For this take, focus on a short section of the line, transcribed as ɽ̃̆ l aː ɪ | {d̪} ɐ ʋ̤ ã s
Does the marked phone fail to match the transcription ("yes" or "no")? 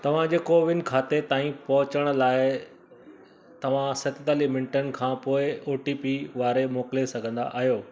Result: yes